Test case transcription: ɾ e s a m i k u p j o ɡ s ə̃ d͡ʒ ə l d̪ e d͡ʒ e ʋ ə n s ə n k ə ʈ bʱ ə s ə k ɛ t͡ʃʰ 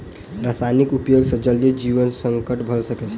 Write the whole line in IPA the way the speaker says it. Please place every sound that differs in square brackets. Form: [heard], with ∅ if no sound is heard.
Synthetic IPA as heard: ɾ [a] s a [n] i k u p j o ɡ s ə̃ d͡ʒ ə l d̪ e d͡ʒ [i] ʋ ə n s ə [ŋ] k ə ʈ bʱ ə s ə k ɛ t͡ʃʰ